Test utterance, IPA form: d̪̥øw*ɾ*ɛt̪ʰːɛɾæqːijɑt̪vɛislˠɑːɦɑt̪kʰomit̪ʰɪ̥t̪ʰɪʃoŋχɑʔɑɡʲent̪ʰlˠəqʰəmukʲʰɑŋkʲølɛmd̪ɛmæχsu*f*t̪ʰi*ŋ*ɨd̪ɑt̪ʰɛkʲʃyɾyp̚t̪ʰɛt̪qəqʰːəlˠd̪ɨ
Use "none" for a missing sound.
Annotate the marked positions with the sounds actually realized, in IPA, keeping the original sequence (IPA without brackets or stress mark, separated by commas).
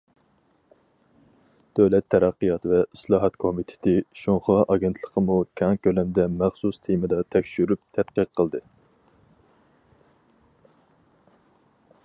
l, s, m